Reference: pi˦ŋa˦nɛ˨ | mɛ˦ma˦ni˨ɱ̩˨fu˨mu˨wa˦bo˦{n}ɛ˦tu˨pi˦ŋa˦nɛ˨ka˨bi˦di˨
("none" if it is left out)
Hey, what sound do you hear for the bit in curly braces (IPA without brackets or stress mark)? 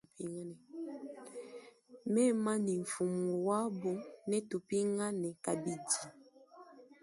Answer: n